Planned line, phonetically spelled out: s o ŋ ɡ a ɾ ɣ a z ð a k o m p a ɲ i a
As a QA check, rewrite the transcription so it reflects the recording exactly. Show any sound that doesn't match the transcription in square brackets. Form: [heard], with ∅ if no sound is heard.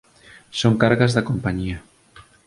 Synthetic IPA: s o ŋ [k] a ɾ ɣ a z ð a k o m p a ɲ i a